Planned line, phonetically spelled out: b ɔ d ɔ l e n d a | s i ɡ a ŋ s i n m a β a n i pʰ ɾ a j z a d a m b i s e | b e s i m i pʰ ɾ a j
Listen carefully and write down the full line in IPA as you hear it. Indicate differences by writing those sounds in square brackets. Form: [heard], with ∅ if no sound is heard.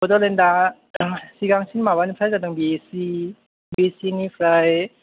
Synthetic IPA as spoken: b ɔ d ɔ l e n d a | s i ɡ a ŋ s i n m a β a n i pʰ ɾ a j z a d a [ŋ] b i s [i] | b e s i [n] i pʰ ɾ a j